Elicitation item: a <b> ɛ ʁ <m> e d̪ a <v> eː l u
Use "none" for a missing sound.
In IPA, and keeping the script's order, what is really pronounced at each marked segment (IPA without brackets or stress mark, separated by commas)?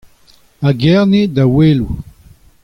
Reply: ɡ, n, w